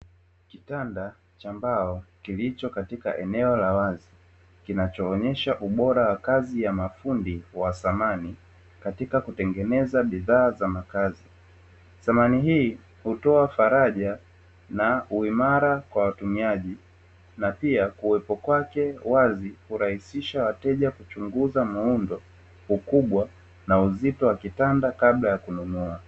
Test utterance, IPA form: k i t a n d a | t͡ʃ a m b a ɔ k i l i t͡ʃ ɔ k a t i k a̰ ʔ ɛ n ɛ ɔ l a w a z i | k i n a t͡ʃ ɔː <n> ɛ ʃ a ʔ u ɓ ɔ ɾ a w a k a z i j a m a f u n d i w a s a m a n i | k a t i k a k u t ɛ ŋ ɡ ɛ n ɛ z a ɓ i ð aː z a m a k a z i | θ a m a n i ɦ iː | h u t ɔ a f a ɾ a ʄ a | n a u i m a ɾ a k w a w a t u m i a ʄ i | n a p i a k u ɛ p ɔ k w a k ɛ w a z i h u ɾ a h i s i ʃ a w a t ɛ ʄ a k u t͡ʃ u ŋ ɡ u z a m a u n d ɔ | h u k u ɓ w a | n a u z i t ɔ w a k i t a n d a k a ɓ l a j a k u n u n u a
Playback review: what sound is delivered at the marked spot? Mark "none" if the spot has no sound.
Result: ɲ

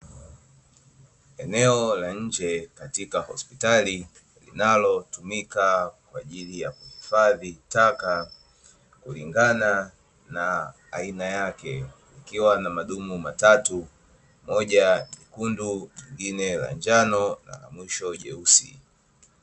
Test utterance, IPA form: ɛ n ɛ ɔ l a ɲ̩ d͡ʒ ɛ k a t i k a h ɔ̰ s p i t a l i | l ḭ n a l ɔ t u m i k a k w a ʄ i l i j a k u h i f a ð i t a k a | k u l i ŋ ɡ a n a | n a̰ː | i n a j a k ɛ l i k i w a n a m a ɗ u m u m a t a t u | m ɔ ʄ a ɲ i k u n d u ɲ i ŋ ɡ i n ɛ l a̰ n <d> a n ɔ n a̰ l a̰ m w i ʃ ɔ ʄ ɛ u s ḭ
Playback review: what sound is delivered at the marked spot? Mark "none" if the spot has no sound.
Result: d͡ʒ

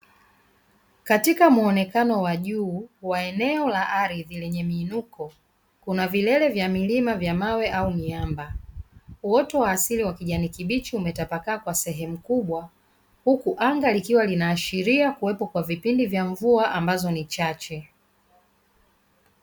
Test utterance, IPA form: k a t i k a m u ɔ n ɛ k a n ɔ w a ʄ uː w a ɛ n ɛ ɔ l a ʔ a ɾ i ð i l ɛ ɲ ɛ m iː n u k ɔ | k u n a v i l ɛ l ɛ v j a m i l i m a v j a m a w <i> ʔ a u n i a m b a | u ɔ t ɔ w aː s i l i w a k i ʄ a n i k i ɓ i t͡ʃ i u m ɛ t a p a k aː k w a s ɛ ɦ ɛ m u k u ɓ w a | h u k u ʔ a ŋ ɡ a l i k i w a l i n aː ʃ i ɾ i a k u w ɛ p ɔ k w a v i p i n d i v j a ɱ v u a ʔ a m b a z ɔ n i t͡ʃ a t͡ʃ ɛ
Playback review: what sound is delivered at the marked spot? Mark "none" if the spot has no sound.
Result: ɛ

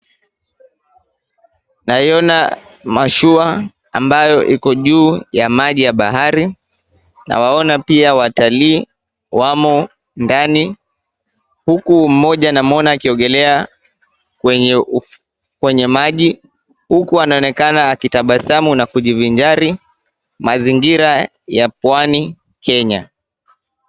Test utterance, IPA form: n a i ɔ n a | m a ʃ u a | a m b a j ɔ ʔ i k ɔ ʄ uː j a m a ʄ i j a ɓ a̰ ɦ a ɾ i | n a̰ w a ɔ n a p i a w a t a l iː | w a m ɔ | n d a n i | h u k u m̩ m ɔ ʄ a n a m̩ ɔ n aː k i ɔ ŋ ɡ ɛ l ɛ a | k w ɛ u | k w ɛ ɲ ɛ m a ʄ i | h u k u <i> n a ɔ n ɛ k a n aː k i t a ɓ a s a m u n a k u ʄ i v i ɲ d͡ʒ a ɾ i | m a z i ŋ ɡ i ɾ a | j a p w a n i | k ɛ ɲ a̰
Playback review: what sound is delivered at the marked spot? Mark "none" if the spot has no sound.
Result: a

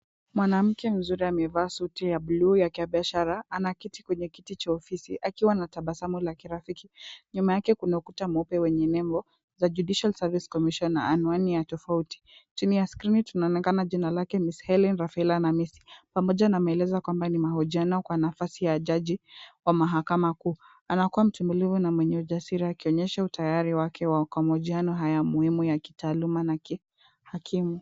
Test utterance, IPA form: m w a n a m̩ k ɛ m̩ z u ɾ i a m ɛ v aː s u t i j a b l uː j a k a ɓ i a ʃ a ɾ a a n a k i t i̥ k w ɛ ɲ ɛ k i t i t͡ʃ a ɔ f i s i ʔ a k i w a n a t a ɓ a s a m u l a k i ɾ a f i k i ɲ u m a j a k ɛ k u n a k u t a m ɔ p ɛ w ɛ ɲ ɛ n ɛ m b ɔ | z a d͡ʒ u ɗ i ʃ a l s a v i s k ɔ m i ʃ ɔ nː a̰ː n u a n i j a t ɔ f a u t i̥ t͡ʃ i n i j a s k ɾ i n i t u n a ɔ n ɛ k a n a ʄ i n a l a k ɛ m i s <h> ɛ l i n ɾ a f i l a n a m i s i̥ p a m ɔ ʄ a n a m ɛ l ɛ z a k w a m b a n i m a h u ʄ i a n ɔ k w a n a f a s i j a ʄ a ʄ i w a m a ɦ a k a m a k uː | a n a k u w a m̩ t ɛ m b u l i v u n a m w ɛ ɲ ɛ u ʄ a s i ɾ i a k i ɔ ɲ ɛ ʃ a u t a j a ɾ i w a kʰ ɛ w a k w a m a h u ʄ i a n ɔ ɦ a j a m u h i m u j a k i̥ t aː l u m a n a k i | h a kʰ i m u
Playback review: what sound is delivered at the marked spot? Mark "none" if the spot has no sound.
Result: h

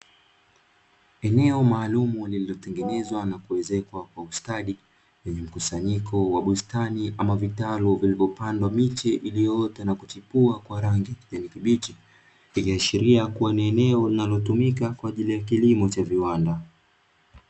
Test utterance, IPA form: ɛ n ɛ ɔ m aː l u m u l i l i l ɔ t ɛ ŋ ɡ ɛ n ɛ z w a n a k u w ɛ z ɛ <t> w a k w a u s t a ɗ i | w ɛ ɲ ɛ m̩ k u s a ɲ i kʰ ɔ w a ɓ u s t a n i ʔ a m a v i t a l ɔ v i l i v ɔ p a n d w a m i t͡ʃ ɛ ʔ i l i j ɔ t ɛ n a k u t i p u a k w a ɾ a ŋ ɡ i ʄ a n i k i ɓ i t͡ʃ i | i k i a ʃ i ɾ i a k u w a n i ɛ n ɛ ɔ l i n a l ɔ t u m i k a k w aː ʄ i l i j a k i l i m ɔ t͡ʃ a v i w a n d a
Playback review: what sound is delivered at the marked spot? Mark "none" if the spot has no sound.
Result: k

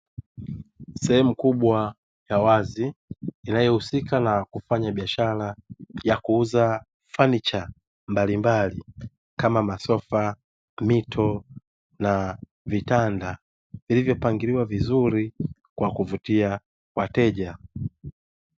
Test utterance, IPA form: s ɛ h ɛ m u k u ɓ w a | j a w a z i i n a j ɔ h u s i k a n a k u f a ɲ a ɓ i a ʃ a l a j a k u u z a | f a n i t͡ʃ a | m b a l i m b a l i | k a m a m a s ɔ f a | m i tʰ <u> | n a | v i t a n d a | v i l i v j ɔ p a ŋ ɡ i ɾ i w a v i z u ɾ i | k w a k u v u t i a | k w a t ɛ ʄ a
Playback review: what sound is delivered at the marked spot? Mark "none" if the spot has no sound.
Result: ɔ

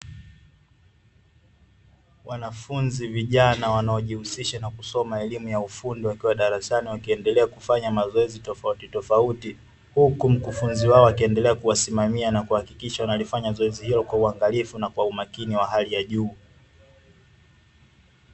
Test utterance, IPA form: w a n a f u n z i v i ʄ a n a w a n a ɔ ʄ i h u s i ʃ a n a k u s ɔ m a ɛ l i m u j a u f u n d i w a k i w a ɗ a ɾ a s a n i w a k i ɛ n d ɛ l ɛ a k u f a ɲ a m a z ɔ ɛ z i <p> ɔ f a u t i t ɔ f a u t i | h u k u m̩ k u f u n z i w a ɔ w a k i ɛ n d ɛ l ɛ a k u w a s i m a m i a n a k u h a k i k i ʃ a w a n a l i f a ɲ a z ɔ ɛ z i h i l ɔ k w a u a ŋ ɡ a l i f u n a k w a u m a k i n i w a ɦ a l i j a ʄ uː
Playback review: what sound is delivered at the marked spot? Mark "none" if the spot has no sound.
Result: t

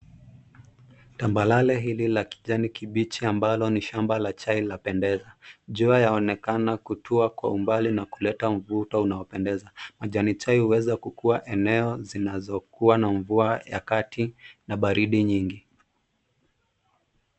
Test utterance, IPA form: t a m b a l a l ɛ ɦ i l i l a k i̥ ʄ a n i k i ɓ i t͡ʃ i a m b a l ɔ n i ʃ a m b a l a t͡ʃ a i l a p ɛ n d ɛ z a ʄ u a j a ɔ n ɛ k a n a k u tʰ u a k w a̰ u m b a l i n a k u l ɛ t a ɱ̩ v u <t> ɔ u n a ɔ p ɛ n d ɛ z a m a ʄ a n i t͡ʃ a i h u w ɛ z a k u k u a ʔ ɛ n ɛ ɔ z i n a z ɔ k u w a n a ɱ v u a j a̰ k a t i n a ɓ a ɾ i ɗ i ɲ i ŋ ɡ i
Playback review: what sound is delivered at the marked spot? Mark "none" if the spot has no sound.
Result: t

